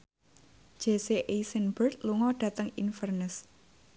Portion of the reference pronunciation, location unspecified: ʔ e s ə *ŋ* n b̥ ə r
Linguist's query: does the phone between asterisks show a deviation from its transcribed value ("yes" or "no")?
yes